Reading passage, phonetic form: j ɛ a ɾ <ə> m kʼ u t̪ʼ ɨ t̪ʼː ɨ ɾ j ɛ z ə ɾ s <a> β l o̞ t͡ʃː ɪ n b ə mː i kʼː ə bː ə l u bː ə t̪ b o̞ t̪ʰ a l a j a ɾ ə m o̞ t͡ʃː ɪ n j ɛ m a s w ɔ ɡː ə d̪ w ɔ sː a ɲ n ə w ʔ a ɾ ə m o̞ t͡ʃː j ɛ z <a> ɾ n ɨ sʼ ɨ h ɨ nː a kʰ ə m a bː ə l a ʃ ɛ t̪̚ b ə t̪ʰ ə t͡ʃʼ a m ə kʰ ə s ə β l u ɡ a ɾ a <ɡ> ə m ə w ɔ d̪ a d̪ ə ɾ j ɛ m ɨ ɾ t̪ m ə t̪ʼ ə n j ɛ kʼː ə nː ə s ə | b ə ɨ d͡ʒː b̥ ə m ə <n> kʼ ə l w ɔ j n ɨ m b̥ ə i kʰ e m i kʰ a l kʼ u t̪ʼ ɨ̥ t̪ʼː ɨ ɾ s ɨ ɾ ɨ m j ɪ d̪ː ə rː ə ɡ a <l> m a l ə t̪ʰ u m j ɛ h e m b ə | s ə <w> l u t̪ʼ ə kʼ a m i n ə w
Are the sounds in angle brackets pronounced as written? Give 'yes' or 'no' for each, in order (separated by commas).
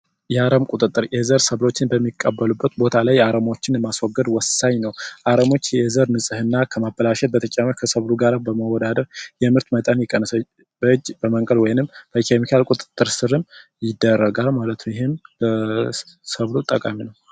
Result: yes, no, no, no, no, yes, no